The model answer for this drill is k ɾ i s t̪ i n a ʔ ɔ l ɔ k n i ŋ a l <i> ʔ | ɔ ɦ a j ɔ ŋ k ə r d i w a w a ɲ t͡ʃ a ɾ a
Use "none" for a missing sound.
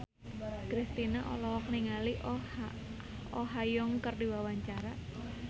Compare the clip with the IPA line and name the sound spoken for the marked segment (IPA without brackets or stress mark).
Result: i